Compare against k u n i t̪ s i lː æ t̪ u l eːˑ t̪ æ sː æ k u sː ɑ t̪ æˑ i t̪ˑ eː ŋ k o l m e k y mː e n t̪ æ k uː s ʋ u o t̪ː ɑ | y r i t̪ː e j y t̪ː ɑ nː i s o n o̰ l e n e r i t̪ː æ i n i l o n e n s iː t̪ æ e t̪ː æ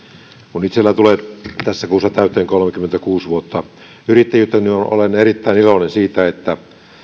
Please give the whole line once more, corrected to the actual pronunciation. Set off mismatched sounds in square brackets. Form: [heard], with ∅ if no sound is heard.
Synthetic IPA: k u n i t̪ s [e] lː æ t̪ u l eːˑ t̪ æ sː æ k [uː] sː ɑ t̪ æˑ [y] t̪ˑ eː ŋ k o l m e k y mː e n t̪ æ k uː s ʋ u o t̪ː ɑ | y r i t̪ː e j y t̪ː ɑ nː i [∅] o n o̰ l e n e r i t̪ː æ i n i l o n e n s iː t̪ æ e t̪ː æ